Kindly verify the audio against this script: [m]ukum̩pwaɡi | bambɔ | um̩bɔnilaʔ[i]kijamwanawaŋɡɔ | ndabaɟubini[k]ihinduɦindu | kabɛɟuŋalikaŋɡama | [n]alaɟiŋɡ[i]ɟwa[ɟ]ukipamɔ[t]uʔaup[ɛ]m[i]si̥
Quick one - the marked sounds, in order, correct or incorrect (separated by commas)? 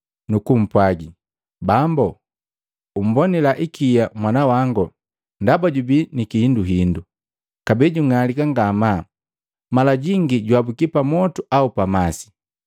incorrect, correct, correct, incorrect, correct, incorrect, correct, incorrect, incorrect